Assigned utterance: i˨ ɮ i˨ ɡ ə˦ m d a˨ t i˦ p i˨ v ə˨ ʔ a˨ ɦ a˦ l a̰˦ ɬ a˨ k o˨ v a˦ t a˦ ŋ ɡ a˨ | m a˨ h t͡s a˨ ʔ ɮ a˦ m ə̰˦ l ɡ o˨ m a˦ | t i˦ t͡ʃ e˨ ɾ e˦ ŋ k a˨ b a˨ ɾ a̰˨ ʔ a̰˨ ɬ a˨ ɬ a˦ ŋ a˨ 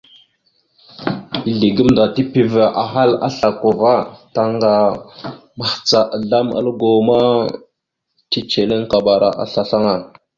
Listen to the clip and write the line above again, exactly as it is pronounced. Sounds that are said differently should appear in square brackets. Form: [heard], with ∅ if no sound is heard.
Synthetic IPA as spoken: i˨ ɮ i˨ ɡ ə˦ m d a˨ t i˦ p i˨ v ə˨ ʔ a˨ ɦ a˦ l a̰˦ ɬ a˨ k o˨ v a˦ t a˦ ŋ ɡ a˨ | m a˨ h t͡s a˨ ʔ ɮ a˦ m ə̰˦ l ɡ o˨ m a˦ | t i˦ t͡ʃ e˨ [l] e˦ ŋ k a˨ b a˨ ɾ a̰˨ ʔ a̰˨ ɬ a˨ ɬ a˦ ŋ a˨